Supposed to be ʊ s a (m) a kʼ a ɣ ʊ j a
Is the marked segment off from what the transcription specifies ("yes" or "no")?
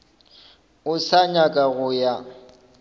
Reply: yes